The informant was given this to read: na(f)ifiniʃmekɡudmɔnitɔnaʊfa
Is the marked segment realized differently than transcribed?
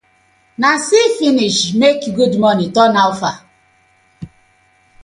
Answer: yes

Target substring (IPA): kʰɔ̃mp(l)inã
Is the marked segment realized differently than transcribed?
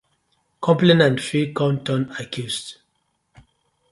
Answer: no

